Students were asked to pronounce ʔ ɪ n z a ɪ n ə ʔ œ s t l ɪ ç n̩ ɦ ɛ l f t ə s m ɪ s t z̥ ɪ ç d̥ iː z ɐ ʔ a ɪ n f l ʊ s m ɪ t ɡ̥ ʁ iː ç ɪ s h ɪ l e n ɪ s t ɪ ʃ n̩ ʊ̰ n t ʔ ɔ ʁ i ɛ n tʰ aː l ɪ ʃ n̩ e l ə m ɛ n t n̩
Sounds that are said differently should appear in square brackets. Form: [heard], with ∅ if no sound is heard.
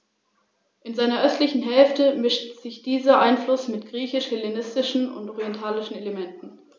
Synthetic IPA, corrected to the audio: ʔ ɪ n z a ɪ n [ɐ] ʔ œ s t l ɪ ç n̩ ɦ ɛ l f t ə [∅] m ɪ [ʃ] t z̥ ɪ ç d̥ iː z ɐ ʔ a ɪ n f l ʊ s m ɪ t ɡ̥ ʁ iː ç ɪ [ʃ] h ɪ l e n ɪ s t ɪ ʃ n̩ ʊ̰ n t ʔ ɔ ʁ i ɛ n tʰ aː l ɪ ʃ n̩ e l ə m ɛ n t n̩